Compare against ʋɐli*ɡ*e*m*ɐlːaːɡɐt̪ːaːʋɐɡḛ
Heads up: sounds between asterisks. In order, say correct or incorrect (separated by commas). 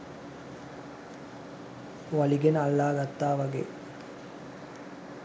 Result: correct, incorrect